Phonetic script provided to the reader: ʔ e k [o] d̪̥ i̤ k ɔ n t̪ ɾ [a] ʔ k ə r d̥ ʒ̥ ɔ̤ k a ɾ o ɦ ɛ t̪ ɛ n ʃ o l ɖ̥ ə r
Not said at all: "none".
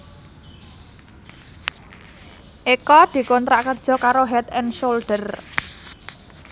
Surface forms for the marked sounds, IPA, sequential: ɔ, a

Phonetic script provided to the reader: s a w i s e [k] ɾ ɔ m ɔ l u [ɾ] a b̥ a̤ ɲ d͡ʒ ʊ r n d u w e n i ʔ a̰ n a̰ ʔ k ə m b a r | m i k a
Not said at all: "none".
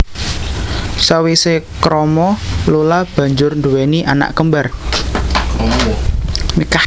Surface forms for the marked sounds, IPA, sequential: k, l

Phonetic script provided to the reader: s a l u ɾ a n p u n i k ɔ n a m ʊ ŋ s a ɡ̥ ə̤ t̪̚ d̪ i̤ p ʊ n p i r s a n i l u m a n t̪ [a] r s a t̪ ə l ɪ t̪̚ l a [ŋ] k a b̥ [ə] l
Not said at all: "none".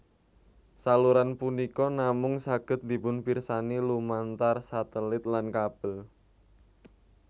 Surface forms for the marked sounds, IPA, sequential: a, n, ə

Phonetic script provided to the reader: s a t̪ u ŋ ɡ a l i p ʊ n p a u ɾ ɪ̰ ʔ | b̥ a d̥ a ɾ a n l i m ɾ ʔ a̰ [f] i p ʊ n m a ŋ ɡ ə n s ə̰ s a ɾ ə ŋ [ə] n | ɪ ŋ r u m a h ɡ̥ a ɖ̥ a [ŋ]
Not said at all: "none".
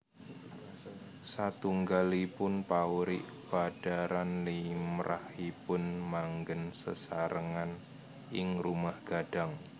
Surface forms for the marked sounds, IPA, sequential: h, a, ŋ

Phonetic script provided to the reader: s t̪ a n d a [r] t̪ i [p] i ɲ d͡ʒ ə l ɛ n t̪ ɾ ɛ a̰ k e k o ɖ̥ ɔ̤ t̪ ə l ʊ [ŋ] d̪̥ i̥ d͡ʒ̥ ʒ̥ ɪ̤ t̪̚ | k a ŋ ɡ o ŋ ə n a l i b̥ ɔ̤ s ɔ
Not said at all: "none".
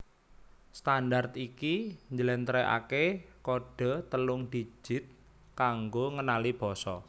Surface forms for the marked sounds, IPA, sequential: r, k, ŋ

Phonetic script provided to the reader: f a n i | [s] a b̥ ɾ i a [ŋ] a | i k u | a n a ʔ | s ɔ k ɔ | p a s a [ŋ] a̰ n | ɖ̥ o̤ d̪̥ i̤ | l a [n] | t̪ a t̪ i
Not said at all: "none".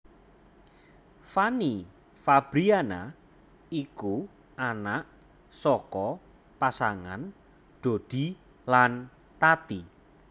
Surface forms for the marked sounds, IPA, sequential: f, n, ŋ, n

